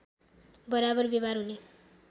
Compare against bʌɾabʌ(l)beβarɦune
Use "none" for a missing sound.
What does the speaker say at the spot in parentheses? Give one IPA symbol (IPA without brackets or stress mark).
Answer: r